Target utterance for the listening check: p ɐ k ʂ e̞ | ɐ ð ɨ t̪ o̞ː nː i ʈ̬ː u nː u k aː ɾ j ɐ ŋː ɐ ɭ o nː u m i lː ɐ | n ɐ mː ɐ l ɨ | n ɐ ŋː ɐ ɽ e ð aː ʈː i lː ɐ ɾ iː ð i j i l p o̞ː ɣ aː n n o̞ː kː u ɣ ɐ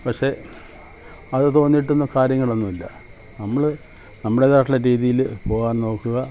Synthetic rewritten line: p ɐ k ʂ e̞ | ɐ ð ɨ t̪ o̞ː nː i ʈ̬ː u nː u k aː ɾ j ɐ ŋː ɐ ɭ o nː u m i lː ɐ | n ɐ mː ɐ ɭ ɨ | n ɐ mː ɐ ɽ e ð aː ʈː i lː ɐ ɾ iː ð i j i l p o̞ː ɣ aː n n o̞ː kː u ɣ ɐ